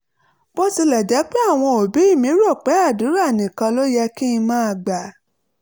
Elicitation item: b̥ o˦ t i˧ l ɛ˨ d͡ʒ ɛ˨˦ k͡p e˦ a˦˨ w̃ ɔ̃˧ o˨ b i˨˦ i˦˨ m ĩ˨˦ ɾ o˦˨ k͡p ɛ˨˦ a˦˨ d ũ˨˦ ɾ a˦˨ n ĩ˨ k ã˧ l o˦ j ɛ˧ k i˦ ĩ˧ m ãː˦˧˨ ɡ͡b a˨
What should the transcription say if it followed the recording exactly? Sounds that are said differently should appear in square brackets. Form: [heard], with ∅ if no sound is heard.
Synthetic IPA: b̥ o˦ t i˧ l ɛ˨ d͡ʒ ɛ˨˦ k͡p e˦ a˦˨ w̃ ɔ̃˧ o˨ b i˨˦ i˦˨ m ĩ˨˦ ɾ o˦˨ k͡p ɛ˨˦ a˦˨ d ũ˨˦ ɾ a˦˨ n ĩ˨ k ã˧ l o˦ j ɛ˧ k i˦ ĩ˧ m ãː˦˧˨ ɡ͡b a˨

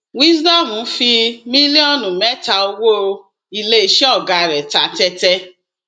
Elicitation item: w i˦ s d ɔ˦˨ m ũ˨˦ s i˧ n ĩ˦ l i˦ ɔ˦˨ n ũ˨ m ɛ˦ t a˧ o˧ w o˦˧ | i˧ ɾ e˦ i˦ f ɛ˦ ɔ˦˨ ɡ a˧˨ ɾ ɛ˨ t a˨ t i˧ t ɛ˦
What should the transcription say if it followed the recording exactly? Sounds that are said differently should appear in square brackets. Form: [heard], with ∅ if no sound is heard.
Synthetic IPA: w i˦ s d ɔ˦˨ m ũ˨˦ [f] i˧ [m] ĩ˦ l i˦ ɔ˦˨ n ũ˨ m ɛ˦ t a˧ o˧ w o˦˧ | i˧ [l] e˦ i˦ [ʃ] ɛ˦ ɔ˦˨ ɡ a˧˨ ɾ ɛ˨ t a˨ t [ɛ˧] t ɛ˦

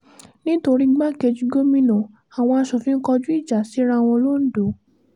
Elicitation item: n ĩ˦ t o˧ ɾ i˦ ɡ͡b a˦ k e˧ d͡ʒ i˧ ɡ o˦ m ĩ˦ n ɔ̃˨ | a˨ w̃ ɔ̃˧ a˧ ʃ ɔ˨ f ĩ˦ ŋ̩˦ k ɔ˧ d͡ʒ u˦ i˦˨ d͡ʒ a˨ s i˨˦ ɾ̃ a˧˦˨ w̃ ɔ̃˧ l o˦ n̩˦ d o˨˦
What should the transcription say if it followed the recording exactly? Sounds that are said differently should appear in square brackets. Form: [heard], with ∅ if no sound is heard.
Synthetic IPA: n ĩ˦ t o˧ ɾ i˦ ɡ͡b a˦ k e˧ d͡ʒ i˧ ɡ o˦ m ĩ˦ n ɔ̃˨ | a˨ w̃ ɔ̃˧ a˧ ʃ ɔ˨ f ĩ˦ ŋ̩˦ k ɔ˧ d͡ʒ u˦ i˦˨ d͡ʒ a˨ s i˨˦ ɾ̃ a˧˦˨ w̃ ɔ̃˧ l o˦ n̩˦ d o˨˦

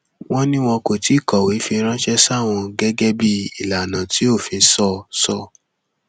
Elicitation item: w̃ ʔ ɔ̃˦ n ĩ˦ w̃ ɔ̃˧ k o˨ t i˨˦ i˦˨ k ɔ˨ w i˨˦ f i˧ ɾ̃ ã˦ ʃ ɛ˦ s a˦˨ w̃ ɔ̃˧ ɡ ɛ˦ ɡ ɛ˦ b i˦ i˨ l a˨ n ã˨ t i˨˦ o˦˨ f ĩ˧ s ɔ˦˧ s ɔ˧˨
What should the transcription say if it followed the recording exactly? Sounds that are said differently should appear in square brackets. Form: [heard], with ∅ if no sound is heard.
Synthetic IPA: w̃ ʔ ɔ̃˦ n ĩ˦ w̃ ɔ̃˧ k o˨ t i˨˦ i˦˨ k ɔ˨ w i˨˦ f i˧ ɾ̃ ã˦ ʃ ɛ˦ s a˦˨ w̃ ɔ̃˧ ɡ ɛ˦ ɡ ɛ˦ b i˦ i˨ l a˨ n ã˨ t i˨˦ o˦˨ f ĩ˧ s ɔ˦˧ s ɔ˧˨

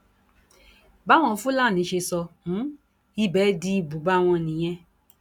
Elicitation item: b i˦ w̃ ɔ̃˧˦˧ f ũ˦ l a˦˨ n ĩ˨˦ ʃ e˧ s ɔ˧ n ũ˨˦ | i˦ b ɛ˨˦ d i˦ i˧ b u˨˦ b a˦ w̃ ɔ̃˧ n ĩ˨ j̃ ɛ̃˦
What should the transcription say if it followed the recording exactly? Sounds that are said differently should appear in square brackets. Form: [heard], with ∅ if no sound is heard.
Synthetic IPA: b [a˦] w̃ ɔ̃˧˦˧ f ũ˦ l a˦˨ n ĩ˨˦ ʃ e˧ s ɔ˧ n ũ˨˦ | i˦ b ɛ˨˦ d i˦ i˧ b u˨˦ b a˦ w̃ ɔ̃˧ n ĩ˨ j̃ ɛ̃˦

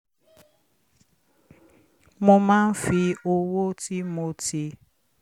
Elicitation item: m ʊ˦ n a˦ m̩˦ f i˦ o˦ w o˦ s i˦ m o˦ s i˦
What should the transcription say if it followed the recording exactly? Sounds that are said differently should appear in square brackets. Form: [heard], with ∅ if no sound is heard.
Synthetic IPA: m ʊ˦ [m] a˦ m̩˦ f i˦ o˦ w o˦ [t] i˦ m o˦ [t] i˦

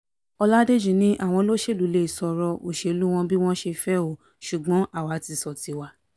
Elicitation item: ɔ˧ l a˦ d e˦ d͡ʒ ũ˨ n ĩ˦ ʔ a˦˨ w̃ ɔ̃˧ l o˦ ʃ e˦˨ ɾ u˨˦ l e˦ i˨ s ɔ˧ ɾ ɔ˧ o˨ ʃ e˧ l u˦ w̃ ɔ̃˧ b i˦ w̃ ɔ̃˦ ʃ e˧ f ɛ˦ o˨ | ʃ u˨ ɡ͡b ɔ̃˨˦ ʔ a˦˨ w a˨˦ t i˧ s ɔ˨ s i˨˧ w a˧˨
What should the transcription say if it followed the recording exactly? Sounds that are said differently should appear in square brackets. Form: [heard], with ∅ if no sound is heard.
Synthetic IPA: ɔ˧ l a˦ d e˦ d͡ʒ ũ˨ n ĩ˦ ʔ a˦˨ w̃ ɔ̃˧ l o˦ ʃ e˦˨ [l] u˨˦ l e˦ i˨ s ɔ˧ ɾ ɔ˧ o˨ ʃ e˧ l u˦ w̃ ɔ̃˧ b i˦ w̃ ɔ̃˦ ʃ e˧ f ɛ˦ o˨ | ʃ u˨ ɡ͡b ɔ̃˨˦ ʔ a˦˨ w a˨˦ t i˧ s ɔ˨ [t] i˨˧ w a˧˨

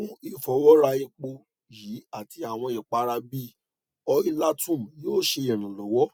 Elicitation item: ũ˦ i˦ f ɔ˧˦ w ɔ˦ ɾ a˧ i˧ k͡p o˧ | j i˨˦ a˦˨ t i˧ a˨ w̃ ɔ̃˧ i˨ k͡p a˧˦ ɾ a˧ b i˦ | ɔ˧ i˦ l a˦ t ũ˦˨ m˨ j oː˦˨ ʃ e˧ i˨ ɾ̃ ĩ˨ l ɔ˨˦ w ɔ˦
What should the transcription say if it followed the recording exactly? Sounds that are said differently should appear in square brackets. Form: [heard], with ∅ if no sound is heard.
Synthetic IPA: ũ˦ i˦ f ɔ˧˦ w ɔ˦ ɾ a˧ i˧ k͡p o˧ | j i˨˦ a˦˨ t i˧ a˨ w̃ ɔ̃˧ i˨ k͡p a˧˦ ɾ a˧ b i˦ | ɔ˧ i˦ l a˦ t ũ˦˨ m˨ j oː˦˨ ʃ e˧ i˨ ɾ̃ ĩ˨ l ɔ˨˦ w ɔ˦

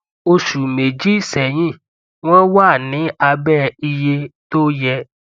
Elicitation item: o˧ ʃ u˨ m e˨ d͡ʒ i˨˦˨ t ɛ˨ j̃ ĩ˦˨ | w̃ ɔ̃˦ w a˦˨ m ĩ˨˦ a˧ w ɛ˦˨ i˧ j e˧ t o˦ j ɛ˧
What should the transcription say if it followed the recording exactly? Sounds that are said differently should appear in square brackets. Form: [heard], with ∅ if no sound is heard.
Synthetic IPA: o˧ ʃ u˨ m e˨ d͡ʒ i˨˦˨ [s] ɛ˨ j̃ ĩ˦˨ | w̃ ɔ̃˦ w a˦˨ [n] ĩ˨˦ a˧ [b] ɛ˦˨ i˧ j e˧ t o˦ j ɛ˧

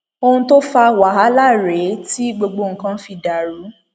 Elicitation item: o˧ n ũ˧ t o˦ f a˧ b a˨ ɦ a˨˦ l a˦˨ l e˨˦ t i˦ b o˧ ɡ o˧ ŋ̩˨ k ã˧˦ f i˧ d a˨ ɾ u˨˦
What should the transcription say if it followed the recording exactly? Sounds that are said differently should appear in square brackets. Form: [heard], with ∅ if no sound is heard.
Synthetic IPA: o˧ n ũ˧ t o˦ f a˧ [w] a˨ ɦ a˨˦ l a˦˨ [ɾ] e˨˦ t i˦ [ɡ͡b] o˧ [ɡ͡b] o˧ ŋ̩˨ k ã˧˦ f i˧ d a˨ ɾ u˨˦

